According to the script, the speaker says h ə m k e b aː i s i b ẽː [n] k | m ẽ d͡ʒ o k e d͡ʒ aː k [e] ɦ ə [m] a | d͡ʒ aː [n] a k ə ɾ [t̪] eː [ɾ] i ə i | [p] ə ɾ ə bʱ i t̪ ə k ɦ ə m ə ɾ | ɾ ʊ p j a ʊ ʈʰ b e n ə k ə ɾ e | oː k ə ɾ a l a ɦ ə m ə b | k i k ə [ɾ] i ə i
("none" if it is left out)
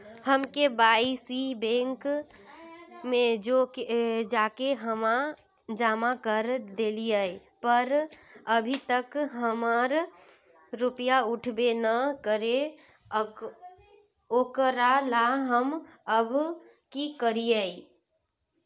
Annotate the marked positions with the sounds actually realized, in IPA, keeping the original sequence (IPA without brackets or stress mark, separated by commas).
ŋ, e, m, m, d̪, l, p, ɾ